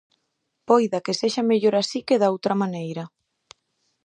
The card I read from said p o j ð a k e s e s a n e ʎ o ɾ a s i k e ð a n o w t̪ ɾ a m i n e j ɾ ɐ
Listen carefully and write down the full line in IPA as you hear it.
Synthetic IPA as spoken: p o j ð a k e s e ʃ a m e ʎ o ɾ a s i k e ð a o w t̪ ɾ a m a n e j ɾ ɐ